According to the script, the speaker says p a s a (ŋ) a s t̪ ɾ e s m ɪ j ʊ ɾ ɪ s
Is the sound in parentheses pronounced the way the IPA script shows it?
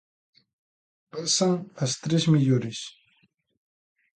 yes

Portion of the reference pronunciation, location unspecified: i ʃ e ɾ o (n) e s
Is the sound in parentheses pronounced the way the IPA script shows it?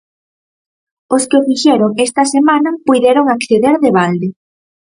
no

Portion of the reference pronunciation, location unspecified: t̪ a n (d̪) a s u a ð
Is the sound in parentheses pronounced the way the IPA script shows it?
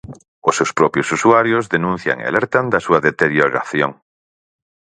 yes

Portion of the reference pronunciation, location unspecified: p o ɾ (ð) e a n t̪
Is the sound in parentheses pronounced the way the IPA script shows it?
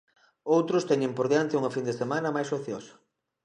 yes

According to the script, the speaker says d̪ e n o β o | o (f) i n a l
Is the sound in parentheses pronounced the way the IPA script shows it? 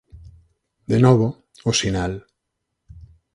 no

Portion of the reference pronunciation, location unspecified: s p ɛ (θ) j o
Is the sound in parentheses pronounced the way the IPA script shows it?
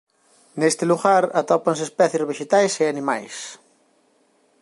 yes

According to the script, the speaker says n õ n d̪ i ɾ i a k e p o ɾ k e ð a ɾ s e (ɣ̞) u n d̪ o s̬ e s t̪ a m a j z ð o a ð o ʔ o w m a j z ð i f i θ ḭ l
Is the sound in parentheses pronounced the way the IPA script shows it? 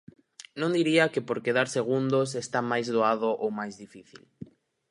yes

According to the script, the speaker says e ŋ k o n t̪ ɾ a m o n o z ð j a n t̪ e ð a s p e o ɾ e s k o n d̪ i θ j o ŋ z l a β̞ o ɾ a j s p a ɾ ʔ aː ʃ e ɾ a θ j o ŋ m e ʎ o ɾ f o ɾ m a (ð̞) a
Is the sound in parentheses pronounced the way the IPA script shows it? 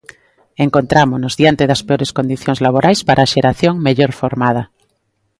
yes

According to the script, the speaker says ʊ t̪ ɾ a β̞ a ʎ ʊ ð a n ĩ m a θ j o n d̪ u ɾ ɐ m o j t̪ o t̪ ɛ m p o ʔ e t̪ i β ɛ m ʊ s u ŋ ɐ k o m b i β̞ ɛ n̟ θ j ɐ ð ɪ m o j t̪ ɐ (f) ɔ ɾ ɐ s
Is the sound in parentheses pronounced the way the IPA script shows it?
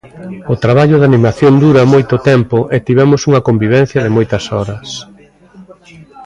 no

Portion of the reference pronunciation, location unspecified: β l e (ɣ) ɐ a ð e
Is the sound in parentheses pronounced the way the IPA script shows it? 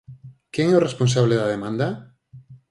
no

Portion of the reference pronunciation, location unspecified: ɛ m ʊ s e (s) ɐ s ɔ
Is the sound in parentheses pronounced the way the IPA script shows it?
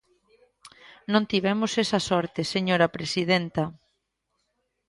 yes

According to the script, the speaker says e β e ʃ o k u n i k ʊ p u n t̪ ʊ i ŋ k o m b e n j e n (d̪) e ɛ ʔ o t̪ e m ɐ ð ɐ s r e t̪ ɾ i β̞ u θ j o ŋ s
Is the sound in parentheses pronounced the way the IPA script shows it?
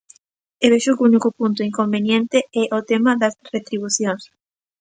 no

